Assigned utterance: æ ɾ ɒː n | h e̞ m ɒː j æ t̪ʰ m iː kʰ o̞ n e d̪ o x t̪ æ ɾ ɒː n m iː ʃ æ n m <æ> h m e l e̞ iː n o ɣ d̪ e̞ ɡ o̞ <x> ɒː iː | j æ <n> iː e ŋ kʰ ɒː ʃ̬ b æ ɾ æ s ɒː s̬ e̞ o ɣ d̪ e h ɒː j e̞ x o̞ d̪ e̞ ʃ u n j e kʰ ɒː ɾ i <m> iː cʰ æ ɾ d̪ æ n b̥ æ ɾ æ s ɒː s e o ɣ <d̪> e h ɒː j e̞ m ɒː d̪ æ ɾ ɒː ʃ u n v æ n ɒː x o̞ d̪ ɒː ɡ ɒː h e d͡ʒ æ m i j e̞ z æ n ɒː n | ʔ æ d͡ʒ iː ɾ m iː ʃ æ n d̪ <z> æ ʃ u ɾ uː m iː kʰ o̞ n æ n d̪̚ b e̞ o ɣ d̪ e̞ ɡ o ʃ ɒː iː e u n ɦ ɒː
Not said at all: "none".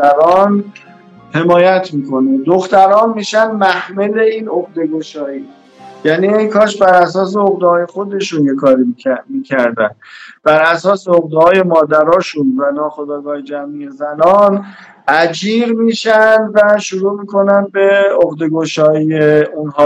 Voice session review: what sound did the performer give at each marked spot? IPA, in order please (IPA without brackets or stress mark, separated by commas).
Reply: æ, ʃ, n, m, d̪, v